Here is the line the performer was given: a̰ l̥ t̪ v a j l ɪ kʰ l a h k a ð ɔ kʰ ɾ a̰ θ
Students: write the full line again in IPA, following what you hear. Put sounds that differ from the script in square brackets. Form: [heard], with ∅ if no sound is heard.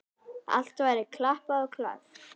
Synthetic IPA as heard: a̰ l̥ t̪ v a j [ɾ] ɪ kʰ l a h [p] a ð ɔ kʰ [l] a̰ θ